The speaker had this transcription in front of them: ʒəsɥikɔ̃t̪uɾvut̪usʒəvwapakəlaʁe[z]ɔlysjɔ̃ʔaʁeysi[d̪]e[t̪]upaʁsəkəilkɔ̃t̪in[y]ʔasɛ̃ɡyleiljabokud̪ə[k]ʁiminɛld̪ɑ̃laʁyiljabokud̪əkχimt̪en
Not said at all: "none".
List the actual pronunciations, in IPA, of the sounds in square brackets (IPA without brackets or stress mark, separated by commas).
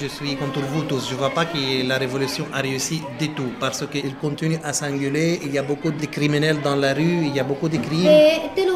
v, d̪, t̪, y, k